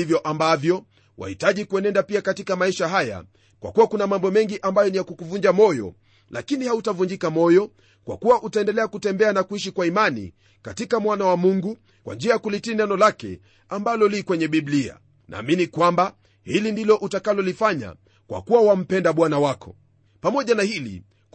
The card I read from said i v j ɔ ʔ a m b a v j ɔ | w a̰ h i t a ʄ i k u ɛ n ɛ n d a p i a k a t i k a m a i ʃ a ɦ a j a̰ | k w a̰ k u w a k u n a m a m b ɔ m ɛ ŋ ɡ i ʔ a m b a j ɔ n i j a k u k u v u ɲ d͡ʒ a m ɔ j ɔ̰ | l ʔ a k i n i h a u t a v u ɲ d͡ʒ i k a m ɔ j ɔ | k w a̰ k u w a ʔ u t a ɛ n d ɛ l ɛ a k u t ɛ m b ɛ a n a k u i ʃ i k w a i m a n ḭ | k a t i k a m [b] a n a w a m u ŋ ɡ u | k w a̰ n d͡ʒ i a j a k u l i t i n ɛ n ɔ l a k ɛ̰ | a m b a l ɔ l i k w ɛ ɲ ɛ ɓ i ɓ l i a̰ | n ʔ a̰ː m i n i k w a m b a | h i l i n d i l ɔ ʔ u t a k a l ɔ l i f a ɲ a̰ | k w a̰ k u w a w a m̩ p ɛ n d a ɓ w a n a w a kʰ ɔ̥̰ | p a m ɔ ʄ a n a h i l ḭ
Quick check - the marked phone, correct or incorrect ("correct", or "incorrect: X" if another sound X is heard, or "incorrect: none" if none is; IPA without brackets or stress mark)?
incorrect: w